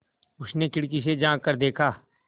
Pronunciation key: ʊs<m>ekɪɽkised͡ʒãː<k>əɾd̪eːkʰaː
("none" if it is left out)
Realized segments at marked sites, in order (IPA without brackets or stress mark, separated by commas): n, k